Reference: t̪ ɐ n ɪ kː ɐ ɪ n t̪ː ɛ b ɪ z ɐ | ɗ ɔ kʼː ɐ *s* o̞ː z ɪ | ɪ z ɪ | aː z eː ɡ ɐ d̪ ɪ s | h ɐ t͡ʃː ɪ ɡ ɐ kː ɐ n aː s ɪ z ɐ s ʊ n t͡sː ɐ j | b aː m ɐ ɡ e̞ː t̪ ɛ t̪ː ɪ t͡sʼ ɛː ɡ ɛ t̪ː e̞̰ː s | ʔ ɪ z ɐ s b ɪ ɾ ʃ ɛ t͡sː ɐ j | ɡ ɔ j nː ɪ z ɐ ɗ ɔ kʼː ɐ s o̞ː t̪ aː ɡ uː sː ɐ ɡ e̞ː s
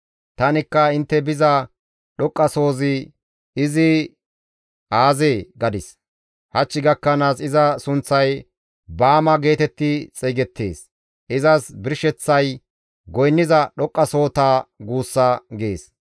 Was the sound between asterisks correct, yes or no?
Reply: yes